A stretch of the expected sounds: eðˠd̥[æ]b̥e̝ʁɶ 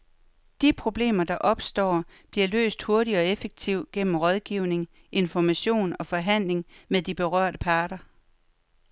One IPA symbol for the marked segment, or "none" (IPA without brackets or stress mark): i